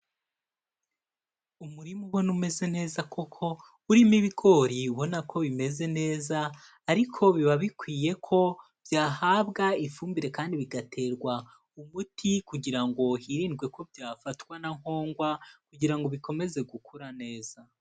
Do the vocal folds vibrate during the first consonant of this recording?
yes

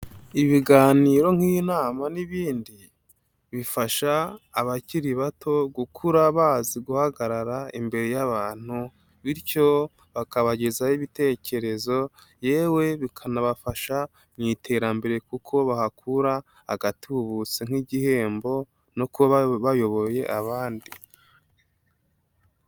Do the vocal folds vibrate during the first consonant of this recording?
yes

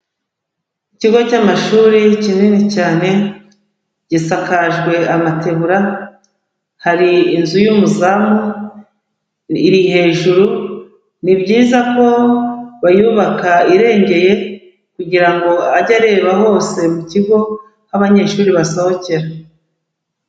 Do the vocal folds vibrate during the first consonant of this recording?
no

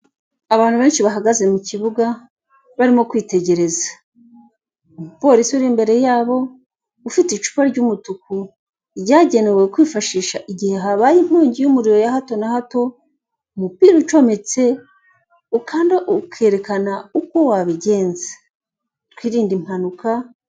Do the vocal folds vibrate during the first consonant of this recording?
yes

